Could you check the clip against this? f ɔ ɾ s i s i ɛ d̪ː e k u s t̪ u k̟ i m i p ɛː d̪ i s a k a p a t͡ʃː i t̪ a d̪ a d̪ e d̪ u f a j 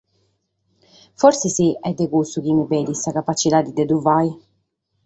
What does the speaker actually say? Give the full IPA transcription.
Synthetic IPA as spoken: f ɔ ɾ s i s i ɛ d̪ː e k u s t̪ u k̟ i m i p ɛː d̪ i s a k a p a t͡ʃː i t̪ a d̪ i d̪ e d̪ u v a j